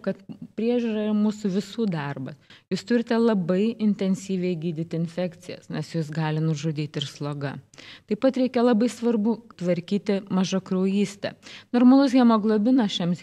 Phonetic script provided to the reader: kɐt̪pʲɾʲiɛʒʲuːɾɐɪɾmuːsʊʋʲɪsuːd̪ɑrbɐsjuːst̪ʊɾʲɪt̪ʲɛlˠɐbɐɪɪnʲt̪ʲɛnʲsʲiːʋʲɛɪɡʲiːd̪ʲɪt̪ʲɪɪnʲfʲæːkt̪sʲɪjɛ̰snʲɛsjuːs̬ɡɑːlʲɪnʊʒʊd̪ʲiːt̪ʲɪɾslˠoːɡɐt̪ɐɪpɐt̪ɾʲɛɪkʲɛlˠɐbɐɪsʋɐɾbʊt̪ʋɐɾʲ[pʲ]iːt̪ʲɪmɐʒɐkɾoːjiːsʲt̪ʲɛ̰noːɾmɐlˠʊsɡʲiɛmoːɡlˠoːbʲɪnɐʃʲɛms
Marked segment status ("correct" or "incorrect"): incorrect